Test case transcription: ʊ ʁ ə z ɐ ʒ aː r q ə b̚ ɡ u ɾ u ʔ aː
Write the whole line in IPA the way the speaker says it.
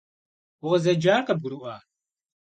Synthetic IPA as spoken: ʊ ʁ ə z ɐ d͡ʒ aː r q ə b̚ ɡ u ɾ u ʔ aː